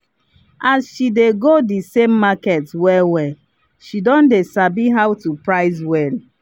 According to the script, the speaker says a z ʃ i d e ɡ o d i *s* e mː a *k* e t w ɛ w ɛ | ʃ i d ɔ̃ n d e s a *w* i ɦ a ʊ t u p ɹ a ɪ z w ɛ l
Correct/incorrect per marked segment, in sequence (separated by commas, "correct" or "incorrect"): correct, correct, incorrect